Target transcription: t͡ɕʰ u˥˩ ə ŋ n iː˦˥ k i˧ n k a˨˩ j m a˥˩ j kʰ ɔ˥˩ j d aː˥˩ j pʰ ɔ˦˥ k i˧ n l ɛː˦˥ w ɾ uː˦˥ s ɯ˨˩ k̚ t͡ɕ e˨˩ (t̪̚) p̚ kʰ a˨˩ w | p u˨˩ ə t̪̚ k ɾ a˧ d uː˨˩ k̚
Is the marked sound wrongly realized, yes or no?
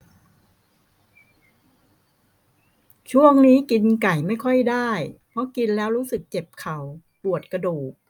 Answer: yes